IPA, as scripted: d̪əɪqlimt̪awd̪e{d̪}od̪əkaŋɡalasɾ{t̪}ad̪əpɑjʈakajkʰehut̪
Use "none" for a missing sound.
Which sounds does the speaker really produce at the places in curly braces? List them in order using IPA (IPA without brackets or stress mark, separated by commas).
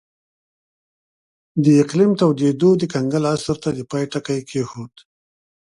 d̪, t̪